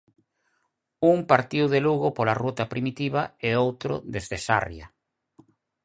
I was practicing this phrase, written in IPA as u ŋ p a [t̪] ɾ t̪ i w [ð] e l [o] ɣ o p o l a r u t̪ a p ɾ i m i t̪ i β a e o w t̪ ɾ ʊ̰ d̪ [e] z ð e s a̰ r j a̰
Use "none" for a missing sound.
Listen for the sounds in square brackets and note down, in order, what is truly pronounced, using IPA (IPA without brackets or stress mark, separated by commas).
none, ð, u, e